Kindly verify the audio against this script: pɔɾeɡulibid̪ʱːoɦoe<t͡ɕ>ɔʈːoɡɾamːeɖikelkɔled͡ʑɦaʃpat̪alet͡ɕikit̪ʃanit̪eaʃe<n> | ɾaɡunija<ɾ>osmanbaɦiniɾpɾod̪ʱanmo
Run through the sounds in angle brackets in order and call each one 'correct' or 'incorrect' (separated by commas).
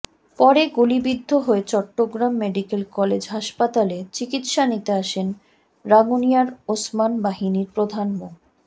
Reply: correct, correct, correct